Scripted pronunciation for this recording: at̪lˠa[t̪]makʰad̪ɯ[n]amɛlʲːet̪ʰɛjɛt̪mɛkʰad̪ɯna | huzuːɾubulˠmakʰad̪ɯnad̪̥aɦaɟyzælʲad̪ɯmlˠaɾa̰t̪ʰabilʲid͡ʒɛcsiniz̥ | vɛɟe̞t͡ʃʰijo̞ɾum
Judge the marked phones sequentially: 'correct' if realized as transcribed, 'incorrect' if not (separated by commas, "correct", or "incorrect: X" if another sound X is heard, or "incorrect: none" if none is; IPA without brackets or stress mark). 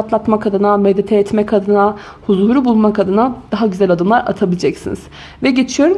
correct, correct